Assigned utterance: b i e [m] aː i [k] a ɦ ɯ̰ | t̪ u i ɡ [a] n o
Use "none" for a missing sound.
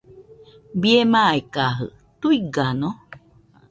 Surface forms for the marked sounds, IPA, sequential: m, k, a

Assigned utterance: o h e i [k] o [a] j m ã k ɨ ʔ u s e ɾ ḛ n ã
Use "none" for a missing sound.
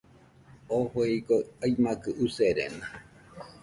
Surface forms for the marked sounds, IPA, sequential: k, a

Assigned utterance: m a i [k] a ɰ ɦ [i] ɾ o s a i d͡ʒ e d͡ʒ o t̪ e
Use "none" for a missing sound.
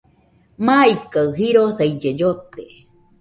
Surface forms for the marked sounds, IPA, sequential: k, i

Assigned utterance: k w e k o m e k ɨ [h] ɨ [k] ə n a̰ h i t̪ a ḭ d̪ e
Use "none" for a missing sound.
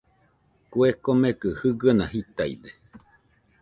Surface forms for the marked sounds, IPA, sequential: h, ɡ

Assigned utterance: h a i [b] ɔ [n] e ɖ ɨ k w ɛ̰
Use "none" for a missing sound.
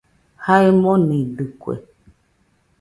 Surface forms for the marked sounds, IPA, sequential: m, n

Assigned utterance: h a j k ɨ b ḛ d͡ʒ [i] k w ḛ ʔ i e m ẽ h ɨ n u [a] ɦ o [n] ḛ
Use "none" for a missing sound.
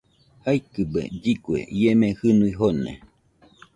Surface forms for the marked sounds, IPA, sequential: i, i, n

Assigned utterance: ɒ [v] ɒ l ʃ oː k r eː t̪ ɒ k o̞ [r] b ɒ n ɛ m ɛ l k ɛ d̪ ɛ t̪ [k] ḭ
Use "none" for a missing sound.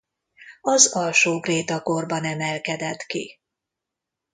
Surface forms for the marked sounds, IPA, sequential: z, r, k

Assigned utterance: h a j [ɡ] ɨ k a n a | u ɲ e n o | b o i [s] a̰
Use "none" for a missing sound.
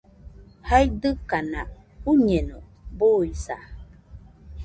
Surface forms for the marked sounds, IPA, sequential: d, s

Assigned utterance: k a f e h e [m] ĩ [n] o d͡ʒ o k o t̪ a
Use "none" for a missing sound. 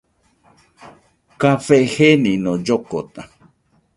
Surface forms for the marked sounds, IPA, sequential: n, n

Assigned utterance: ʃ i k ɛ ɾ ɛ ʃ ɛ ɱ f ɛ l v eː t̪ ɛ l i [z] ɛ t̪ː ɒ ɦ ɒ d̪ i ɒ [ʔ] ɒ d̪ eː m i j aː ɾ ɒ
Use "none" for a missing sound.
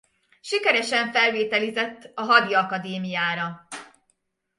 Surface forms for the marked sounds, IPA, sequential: z, k

